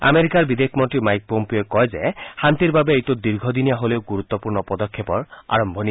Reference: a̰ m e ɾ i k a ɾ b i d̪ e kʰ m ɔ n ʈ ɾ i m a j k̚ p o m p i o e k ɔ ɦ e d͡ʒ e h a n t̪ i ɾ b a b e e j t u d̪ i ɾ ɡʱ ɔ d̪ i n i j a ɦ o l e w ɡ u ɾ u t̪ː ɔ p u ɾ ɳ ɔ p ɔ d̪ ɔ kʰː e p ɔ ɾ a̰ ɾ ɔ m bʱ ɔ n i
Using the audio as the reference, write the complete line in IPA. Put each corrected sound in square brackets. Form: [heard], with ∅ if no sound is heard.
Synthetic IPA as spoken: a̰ m e ɾ i k a ɾ b i d̪ e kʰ m ɔ n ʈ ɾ i m a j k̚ p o m p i o e k ɔ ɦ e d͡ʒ e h a n t̪ i ɾ b a b e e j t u d̪ i ɾ ɡʱ ɔ d̪ i n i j a ɦ o l e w ɡ u ɾ u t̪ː ɔ p u ɾ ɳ ɔ p ɔ d̪ ɔ kʰː e p ɔ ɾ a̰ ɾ ɔ m bʱ ɔ n i